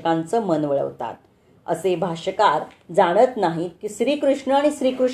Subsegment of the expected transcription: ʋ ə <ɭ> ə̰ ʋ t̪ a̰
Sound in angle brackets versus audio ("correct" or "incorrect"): correct